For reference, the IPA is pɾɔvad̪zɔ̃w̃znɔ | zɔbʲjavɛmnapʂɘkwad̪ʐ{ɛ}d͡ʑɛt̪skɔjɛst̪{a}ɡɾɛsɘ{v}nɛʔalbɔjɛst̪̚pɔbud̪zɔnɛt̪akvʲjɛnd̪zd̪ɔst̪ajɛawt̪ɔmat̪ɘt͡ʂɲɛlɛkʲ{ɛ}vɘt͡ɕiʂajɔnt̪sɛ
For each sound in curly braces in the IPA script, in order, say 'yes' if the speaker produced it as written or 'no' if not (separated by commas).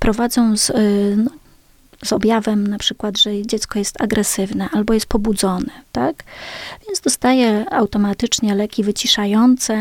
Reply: yes, yes, yes, no